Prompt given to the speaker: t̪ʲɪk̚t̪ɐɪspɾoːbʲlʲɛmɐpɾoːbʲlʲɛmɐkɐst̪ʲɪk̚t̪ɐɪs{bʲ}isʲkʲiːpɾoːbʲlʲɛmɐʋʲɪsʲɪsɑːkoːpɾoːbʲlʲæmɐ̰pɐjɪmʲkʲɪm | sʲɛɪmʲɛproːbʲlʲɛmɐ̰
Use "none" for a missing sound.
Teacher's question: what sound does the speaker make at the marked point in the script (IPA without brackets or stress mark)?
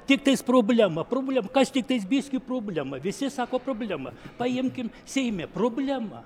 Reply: bʲ